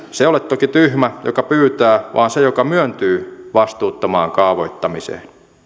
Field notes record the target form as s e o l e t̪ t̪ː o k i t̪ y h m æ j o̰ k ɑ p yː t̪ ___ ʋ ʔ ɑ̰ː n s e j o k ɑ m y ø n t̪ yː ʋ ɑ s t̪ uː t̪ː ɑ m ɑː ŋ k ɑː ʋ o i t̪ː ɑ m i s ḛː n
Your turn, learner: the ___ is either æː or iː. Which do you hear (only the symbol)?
æː